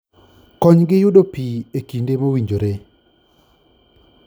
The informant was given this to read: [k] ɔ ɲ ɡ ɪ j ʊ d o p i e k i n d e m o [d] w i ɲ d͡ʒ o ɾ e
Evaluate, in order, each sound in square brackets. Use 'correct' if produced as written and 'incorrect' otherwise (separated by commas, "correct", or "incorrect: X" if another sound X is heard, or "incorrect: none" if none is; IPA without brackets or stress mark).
correct, incorrect: none